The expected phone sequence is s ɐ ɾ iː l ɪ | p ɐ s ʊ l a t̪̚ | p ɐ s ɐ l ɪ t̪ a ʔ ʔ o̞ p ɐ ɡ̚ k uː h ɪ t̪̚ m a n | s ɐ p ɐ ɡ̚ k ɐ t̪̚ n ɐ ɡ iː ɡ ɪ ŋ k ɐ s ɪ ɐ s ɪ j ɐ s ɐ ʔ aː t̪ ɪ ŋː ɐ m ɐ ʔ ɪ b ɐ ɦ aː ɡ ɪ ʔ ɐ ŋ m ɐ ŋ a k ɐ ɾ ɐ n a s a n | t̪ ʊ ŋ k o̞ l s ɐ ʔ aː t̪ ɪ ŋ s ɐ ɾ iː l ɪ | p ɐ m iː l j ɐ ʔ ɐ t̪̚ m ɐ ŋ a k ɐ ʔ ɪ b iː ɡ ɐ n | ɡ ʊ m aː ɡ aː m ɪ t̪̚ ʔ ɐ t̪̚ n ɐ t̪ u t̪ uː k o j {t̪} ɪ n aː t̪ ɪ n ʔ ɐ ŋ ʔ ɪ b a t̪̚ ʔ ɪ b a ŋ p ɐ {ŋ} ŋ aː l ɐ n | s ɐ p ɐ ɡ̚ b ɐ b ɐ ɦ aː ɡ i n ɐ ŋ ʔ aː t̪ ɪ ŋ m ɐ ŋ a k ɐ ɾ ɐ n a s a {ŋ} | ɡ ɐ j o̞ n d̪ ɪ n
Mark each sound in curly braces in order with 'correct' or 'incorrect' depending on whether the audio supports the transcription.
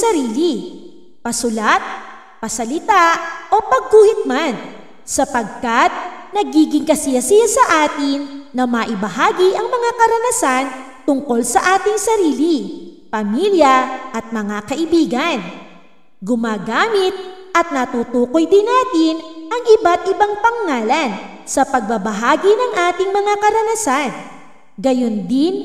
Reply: incorrect: d̪, correct, incorrect: n

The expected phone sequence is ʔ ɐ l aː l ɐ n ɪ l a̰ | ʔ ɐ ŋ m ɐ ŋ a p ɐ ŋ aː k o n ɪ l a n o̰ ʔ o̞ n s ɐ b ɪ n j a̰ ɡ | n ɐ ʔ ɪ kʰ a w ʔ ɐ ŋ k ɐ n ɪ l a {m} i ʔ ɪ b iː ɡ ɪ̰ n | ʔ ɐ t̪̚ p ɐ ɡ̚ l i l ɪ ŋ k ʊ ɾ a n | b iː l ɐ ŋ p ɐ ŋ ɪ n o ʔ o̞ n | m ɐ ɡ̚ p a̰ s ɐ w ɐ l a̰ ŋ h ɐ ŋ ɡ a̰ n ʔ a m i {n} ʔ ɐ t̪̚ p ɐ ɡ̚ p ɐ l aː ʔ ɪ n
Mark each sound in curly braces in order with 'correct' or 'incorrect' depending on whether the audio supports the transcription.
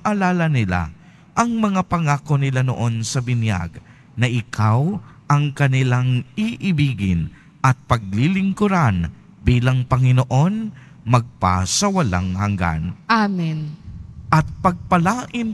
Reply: incorrect: ŋ, correct

